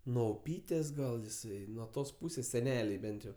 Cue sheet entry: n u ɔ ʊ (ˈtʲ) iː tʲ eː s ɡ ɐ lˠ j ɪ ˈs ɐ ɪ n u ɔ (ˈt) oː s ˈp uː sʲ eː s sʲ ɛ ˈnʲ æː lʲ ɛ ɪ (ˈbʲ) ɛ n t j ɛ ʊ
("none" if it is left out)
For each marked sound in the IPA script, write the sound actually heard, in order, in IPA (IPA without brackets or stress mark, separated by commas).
pʲ, t, bʲ